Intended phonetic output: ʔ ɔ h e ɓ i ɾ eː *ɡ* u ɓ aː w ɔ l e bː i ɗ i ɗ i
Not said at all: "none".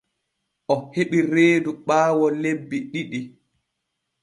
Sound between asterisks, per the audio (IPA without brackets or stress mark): d